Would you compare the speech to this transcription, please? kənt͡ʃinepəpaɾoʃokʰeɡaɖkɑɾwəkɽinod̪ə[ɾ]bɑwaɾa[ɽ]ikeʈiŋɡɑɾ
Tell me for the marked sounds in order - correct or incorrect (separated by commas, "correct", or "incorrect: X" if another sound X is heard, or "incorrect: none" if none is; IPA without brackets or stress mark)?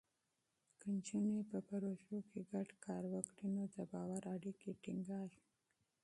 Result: incorrect: none, correct